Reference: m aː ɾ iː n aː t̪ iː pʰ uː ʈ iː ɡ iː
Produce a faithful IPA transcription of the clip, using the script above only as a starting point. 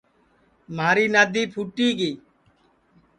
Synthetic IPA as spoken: m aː ɾ iː n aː d̪ iː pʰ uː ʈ iː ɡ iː